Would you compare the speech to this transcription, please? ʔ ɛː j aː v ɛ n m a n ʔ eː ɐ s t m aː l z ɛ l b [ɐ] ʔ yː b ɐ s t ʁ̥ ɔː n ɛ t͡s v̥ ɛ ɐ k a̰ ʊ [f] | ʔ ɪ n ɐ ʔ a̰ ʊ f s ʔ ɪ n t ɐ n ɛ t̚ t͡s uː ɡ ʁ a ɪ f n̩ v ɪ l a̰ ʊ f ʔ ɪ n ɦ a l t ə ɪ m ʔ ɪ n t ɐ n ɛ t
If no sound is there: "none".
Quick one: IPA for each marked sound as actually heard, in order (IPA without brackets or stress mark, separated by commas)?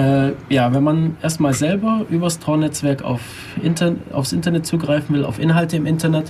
ɐ, f